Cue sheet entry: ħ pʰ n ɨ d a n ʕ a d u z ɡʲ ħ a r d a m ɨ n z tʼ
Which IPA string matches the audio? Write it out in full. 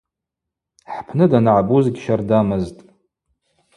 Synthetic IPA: ħ pʰ n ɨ d a n ʕ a b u z ɡʲ ʃ a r d a m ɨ z tʼ